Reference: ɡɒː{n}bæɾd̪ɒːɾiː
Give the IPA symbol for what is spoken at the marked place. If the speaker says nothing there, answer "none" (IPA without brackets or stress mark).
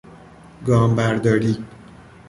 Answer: m